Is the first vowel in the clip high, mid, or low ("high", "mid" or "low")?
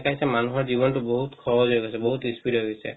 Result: low